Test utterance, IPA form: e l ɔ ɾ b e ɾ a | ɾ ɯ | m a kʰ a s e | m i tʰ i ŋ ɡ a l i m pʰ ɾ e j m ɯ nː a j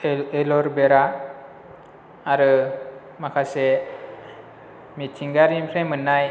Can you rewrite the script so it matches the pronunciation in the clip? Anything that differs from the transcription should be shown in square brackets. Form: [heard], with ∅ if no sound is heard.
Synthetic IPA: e l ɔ ɾ b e ɾ a | ɾ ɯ | m a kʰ a s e | m i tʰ i ŋ ɡ a [ɾ] i m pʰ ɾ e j m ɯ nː a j